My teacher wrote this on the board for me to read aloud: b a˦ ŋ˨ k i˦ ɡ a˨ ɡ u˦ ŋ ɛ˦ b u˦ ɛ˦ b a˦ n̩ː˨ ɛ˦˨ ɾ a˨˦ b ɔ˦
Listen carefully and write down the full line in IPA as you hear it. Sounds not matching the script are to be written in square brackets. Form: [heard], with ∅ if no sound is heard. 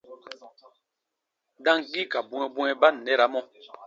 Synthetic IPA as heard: [d] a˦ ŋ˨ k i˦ [k] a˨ [b] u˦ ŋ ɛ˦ b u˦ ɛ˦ b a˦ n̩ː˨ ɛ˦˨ ɾ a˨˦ [m] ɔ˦

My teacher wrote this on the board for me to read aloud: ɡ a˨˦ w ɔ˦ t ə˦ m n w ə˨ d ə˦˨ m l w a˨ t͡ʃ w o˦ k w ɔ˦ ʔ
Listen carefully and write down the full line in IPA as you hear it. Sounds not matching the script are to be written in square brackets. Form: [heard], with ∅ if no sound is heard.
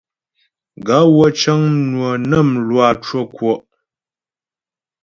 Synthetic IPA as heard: ɡ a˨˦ w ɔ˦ [t͡ʃ] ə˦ [ŋ] n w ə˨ [n] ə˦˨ m l w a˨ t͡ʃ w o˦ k w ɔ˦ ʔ

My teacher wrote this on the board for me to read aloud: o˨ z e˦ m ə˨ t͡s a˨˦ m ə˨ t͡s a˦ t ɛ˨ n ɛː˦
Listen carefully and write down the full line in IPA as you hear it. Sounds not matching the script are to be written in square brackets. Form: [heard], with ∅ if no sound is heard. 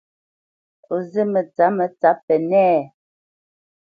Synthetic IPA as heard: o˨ z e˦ m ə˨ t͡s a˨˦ m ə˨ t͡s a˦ [p] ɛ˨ n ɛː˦

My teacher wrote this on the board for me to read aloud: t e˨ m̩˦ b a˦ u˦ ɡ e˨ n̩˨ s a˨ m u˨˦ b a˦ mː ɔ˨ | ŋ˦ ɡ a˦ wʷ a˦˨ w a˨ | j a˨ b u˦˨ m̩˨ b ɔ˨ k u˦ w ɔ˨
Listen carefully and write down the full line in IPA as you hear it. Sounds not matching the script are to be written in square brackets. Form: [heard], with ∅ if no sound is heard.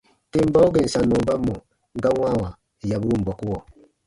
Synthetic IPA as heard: t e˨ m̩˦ b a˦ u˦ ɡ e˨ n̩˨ s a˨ [n] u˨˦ b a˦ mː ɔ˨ | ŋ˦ ɡ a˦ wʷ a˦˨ w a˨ | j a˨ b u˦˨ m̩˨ b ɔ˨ k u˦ w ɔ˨

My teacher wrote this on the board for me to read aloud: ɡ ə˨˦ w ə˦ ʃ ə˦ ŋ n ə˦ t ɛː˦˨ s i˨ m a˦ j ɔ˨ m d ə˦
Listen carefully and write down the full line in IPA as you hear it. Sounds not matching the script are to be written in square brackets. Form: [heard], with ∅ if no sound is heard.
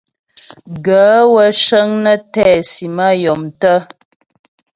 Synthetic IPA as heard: ɡ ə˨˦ w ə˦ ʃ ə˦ ŋ n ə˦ t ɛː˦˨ s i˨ m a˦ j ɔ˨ m [t] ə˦

